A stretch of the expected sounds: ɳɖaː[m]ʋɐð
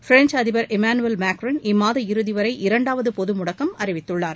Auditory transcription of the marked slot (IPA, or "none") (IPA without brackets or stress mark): none